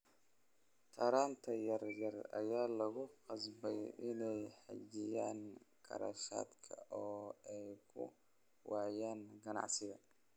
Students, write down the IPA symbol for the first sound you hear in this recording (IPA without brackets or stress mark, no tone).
t̪ʰ